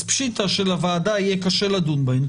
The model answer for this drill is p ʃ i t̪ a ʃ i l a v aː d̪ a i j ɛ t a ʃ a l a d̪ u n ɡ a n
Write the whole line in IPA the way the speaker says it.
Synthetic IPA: p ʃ i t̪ a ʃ e l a v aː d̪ a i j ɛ k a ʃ e l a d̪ u n b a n